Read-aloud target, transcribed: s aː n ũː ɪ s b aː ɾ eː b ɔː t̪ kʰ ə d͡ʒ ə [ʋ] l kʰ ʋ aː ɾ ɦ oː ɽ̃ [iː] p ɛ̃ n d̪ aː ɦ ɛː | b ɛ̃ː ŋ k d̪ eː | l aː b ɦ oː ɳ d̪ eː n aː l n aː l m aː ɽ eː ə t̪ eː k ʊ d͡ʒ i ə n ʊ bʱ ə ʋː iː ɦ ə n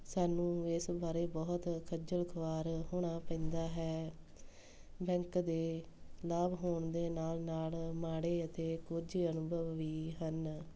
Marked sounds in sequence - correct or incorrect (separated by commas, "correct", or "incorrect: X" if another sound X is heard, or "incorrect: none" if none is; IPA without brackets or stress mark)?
incorrect: none, incorrect: aː